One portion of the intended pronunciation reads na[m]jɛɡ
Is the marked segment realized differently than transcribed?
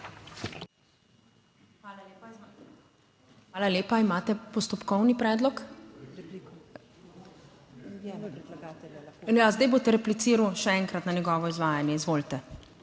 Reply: yes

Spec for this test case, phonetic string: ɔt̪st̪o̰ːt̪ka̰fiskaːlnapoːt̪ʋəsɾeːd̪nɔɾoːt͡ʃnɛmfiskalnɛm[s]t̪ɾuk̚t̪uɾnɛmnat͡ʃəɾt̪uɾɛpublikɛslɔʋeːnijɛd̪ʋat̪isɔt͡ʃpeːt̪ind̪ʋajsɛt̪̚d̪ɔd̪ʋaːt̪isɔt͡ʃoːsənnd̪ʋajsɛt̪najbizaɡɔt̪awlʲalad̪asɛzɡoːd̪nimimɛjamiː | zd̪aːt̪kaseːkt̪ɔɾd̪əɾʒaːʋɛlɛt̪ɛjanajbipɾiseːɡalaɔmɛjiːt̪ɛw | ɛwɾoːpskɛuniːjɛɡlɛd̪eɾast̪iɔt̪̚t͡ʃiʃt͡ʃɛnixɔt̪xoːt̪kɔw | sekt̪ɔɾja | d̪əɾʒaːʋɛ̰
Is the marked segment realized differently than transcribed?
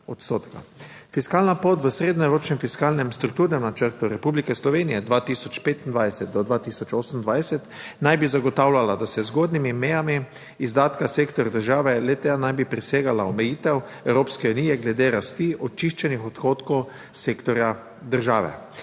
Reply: no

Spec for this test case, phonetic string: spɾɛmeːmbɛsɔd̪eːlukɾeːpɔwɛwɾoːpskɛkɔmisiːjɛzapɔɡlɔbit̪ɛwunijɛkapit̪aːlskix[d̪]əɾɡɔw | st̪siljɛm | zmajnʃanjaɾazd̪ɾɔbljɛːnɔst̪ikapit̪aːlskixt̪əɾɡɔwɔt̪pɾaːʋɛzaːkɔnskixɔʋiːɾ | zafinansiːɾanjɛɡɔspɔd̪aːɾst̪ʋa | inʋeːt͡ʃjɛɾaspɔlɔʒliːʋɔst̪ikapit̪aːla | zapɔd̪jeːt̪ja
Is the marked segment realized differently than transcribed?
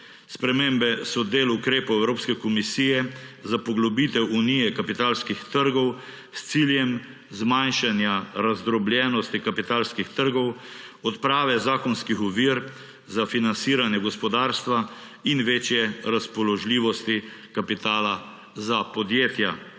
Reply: yes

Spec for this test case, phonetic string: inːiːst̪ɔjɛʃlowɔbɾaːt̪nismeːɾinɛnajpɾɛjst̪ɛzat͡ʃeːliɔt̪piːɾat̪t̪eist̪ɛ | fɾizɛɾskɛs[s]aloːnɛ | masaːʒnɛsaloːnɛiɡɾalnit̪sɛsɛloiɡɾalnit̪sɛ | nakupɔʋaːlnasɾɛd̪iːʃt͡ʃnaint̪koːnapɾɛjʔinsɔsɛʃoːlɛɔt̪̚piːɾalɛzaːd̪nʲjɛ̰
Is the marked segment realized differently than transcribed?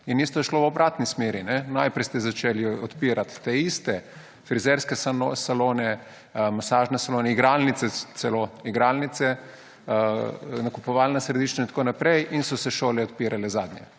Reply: no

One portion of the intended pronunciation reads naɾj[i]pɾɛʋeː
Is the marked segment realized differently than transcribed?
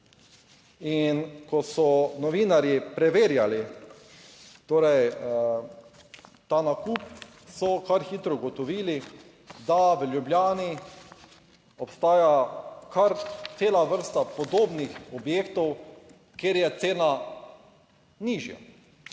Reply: no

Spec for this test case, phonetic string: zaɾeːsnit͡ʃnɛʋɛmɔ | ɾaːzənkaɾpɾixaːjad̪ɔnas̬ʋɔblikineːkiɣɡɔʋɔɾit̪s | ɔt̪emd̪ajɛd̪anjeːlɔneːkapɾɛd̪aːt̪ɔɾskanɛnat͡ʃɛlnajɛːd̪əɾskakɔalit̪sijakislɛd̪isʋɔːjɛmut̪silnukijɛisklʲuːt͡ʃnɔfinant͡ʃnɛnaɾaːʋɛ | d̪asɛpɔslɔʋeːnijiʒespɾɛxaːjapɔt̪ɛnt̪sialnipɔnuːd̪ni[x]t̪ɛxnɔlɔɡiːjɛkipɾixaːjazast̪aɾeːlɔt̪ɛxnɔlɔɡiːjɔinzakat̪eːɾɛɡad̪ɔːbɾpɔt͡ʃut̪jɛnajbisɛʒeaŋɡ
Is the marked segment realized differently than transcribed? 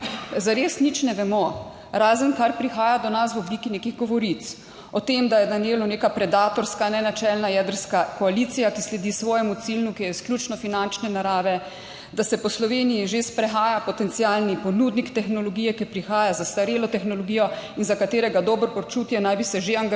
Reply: yes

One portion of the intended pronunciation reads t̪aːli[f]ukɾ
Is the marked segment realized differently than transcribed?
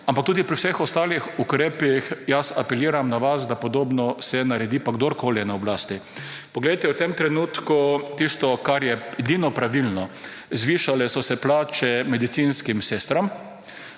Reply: yes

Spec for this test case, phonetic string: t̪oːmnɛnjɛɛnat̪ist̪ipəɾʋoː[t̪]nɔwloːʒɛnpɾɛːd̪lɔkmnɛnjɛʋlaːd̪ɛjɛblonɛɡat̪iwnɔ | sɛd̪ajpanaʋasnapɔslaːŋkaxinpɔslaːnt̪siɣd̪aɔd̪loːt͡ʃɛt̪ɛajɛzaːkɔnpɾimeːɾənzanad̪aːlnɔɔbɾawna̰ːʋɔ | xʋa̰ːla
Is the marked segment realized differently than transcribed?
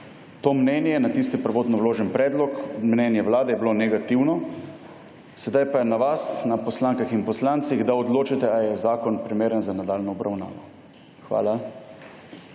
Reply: no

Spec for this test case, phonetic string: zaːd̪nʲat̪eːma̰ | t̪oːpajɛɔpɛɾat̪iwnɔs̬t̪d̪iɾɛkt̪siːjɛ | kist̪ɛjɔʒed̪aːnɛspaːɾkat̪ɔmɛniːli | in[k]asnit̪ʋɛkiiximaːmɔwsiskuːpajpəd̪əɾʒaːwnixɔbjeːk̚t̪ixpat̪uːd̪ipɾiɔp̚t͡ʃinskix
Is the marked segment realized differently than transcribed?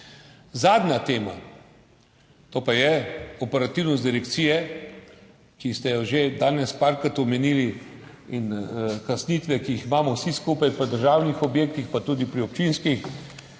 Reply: no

